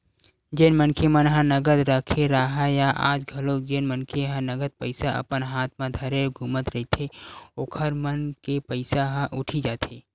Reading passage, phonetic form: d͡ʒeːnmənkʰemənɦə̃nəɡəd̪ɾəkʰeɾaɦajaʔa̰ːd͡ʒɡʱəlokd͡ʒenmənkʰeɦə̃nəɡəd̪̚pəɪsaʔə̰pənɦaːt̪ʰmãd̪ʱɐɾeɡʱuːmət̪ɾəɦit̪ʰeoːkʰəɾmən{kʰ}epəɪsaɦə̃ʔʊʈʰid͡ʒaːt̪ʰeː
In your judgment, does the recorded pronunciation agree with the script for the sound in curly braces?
no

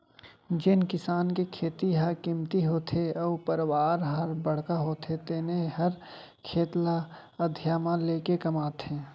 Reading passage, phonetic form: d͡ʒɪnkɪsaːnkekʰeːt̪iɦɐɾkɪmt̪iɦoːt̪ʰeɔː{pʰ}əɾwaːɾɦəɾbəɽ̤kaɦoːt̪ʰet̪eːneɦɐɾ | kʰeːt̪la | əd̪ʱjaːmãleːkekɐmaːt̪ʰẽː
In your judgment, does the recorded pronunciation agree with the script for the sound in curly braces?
no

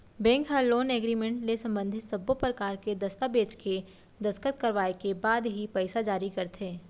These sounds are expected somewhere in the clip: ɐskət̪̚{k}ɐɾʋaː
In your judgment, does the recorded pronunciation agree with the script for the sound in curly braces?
yes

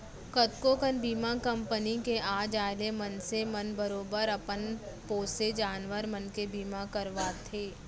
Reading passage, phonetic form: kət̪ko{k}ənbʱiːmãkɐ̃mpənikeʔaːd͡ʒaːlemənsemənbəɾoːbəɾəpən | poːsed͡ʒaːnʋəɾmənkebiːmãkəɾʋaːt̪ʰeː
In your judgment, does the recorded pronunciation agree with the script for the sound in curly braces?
yes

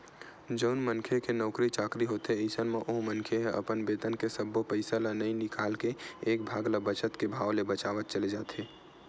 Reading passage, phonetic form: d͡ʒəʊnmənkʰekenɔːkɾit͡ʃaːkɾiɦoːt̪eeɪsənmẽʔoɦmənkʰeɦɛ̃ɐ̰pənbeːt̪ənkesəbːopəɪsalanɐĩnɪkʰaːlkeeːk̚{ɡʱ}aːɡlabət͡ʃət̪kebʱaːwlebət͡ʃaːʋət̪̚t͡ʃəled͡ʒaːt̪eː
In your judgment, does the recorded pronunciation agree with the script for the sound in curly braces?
no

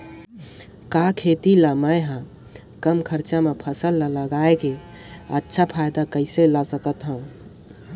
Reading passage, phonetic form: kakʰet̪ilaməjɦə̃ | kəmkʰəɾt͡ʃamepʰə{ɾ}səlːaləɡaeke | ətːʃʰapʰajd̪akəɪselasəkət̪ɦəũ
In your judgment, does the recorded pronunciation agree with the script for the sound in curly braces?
no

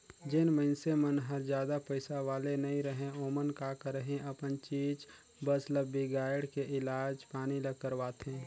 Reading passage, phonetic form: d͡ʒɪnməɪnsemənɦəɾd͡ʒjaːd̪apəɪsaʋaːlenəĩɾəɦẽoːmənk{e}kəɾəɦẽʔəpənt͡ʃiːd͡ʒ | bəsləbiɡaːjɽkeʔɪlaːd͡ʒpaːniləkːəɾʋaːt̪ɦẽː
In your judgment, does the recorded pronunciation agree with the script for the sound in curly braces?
no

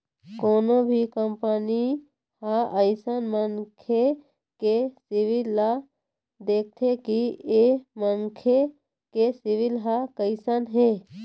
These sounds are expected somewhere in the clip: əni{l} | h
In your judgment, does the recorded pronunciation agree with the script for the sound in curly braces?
no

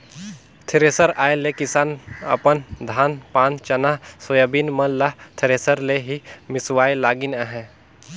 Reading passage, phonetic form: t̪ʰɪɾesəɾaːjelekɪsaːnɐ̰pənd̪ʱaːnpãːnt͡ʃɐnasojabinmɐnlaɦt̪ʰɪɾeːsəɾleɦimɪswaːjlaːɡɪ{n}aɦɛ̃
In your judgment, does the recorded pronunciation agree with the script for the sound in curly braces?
yes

